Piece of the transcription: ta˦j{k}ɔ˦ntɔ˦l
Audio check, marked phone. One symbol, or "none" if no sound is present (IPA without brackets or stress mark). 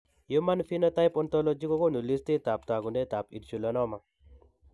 p